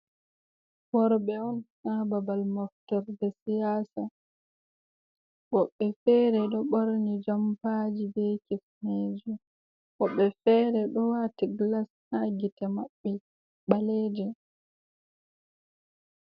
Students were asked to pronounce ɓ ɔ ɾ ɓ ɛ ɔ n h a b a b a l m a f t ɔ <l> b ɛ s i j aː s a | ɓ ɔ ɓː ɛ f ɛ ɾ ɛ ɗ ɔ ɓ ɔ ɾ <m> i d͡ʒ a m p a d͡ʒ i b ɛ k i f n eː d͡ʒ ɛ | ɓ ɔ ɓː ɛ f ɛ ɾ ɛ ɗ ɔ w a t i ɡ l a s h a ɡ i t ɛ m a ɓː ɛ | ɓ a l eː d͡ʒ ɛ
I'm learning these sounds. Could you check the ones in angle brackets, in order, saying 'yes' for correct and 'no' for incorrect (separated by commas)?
no, no